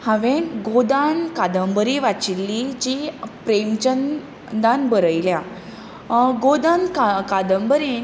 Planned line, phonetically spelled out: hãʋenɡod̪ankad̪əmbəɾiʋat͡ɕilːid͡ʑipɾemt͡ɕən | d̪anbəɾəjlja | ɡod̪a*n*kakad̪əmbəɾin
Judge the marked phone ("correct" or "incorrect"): correct